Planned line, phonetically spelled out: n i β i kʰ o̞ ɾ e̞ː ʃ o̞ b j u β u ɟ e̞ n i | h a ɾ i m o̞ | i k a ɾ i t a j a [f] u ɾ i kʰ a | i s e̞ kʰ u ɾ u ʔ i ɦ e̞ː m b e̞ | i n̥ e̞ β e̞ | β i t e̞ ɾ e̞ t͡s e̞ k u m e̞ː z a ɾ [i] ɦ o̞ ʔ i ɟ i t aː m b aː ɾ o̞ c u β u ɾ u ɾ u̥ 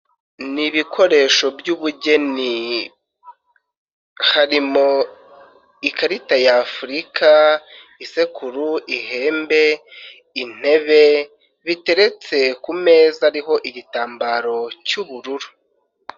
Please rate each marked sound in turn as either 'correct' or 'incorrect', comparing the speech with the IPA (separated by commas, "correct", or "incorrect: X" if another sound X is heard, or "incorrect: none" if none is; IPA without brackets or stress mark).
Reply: correct, correct